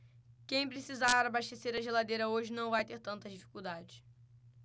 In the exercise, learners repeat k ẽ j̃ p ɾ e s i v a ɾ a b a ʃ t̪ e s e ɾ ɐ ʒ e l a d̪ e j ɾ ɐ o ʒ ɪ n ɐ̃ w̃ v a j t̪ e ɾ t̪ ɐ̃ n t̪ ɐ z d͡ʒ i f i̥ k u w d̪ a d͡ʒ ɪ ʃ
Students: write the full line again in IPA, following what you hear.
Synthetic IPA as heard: k ẽ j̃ p ɾ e s i z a ɾ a b a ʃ t̪ e s e ɾ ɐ ʒ e l a d̪ e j ɾ ɐ o ʒ ɪ n ɐ̃ w̃ v a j t̪ e ɾ t̪ ɐ̃ n t̪ ɐ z d͡ʒ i f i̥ k u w d̪ a d͡ʒ ɪ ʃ